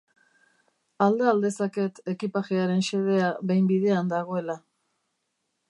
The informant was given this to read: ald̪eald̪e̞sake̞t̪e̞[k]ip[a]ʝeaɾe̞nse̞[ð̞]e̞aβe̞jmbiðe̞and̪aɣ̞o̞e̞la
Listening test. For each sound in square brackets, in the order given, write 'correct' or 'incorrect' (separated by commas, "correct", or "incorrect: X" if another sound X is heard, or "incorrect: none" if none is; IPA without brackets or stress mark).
correct, correct, correct